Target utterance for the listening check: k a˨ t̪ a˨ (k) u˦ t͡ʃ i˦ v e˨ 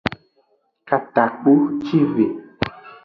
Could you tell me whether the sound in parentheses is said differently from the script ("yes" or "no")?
yes